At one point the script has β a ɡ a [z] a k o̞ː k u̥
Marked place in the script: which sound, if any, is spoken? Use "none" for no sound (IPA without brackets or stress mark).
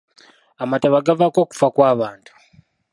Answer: v